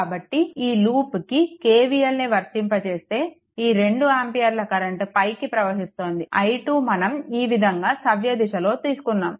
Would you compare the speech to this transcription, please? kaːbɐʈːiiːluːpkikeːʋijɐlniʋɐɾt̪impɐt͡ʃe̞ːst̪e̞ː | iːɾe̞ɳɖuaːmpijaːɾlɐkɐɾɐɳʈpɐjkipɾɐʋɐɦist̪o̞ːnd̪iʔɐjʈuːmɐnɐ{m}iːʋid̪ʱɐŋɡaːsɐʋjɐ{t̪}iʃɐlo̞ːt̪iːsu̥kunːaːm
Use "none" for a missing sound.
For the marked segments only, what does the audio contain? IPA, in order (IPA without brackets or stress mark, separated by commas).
m, d̪